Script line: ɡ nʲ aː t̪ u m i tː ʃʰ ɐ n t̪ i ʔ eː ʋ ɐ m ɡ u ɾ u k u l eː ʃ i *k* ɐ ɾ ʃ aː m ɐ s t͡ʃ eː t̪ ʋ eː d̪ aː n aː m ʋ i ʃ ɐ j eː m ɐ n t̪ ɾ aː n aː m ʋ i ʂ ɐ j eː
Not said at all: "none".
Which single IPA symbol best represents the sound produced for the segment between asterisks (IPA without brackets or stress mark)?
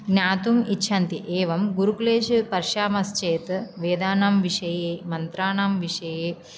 p